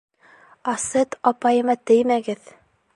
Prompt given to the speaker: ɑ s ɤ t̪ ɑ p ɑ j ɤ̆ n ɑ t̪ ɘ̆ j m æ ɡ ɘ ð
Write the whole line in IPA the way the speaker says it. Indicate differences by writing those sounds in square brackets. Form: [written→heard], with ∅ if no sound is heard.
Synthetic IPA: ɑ s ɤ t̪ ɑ p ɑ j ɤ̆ [n→m] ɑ t̪ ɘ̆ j m æ ɡ ɘ ð